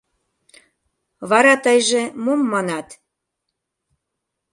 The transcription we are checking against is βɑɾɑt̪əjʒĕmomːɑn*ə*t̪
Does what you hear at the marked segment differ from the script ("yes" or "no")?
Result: yes